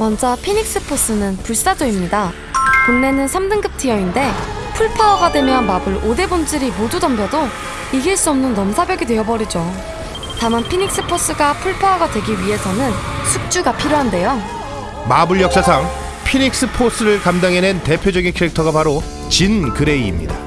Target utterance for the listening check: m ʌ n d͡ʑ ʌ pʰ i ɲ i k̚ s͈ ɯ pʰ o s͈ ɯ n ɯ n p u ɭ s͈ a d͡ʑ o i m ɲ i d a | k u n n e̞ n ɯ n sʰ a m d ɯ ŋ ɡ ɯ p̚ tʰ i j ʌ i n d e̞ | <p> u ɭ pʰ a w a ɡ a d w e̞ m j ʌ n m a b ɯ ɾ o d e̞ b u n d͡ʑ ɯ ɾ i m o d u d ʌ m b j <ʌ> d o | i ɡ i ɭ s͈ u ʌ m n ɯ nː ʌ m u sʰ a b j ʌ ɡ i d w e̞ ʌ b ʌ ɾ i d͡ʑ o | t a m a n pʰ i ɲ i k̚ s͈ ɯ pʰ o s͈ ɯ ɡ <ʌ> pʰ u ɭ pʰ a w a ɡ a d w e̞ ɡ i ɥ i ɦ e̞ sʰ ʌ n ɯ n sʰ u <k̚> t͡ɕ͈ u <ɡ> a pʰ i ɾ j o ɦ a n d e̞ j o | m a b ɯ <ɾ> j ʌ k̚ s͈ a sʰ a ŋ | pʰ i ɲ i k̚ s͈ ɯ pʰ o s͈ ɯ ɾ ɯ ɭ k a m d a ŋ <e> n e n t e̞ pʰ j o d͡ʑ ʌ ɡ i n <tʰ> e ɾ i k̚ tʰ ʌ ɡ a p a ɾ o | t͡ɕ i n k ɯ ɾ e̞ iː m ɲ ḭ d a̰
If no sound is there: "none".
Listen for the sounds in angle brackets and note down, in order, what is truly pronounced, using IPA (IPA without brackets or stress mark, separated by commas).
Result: pʰ, ʌ, a, k̚, ɡ, ɭ, e, kʰ